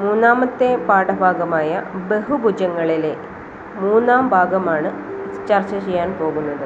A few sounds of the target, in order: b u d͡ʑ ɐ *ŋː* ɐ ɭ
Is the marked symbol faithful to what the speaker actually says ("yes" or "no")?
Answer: yes